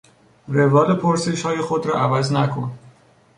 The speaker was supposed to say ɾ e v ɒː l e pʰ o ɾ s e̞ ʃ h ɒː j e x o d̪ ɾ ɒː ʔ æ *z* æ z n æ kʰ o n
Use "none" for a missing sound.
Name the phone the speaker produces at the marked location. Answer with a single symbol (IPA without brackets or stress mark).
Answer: v